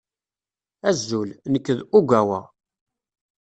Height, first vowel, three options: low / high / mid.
low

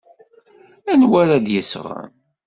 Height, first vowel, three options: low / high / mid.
low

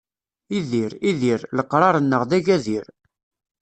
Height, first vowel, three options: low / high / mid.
high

